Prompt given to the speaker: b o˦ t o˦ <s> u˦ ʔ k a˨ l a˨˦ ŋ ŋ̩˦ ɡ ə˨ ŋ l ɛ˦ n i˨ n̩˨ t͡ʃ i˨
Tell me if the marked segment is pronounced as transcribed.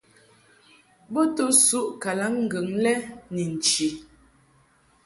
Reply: yes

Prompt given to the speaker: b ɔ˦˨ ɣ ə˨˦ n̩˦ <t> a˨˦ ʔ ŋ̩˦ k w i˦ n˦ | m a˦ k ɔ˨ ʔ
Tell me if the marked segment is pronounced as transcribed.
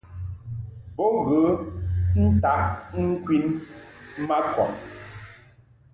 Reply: yes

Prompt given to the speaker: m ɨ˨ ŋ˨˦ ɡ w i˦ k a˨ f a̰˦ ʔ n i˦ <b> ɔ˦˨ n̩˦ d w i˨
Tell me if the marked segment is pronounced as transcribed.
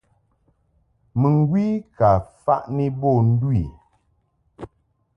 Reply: yes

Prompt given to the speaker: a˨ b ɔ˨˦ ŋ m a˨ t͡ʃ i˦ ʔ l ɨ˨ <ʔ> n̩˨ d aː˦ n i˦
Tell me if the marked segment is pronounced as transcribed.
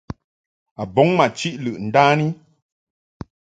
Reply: yes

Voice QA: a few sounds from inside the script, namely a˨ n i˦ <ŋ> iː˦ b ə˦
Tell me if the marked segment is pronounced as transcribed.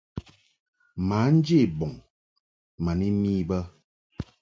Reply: no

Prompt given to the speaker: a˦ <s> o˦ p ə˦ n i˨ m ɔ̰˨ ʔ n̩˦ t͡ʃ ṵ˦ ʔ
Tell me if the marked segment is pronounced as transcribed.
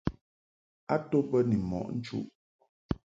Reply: no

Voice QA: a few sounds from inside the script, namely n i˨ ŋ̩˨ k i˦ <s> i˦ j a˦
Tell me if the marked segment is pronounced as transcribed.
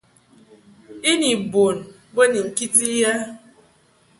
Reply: no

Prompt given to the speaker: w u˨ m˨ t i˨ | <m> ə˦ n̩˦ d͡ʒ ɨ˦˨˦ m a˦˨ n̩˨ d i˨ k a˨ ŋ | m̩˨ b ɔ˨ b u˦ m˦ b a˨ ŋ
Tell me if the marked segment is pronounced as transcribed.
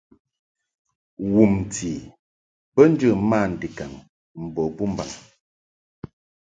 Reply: no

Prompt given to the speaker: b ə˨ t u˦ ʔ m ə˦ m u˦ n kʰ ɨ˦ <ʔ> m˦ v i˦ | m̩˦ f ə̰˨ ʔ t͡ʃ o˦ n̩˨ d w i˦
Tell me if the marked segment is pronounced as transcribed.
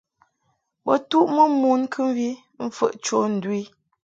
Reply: no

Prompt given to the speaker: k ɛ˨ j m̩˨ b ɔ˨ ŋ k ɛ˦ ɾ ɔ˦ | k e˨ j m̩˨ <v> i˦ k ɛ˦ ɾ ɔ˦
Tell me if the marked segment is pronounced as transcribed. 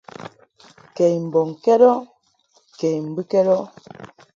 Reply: no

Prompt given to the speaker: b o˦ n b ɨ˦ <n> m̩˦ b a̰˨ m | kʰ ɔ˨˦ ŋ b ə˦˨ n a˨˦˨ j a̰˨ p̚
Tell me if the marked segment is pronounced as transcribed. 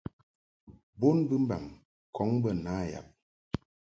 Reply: no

